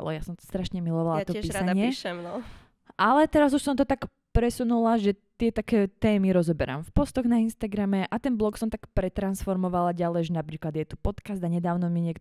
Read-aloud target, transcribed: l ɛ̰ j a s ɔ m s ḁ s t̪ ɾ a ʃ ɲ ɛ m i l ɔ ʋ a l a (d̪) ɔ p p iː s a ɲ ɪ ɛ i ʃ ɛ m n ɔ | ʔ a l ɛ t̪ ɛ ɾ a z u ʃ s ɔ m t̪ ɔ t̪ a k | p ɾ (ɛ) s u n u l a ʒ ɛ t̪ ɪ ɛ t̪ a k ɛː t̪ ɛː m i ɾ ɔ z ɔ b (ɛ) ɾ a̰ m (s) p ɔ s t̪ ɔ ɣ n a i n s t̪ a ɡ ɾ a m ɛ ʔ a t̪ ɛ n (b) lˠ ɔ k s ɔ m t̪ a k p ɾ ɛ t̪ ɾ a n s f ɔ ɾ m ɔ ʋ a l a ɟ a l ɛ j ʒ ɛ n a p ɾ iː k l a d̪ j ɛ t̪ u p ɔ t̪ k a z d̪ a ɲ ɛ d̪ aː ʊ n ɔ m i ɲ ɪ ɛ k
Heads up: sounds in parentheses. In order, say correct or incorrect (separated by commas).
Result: incorrect, correct, correct, incorrect, correct